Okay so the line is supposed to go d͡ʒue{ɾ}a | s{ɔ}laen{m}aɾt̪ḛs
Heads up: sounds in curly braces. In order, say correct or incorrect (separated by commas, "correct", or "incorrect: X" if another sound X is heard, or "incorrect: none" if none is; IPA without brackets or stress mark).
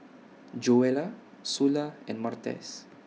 incorrect: l, incorrect: u, correct